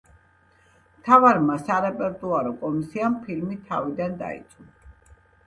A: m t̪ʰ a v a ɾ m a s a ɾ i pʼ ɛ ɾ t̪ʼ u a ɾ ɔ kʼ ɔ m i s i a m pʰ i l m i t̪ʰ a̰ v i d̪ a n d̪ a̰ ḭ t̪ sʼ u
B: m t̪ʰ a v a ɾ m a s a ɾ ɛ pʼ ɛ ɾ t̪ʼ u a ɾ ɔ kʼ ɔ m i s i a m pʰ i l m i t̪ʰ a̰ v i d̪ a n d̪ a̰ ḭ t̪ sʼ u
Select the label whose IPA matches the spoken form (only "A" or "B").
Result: B